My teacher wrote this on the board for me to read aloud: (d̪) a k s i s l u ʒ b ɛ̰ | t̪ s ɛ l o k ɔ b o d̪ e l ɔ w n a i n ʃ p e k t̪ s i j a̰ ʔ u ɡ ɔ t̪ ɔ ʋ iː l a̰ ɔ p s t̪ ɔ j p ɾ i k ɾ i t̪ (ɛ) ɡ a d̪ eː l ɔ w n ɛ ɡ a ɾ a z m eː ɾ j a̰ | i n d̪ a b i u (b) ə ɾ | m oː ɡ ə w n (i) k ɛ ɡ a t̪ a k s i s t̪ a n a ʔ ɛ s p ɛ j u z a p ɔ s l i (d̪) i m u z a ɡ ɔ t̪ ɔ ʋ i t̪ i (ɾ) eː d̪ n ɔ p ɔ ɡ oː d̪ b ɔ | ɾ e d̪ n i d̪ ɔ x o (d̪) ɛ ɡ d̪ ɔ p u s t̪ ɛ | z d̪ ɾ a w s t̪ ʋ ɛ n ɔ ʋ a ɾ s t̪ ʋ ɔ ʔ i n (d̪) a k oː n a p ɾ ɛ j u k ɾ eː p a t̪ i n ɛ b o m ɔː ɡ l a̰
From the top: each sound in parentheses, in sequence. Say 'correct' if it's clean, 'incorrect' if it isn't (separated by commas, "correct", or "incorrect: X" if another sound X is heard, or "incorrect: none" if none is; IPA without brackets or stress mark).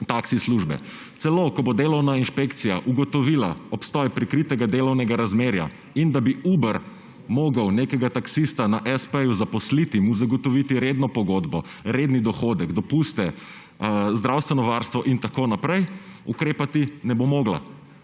incorrect: t̪, correct, correct, incorrect: e, incorrect: t̪, correct, correct, incorrect: t̪